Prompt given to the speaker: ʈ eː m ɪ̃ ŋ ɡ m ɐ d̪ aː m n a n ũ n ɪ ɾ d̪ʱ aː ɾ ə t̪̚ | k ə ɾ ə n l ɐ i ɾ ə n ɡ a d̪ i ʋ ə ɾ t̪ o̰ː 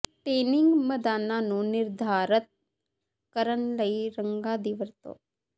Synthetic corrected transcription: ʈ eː n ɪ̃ ŋ ɡ m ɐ d̪ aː n a n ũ n ɪ ɾ d̪ʱ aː ɾ ə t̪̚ | k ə ɾ ə n l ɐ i ɾ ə ŋ ɡ a d̪ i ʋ ə ɾ t̪ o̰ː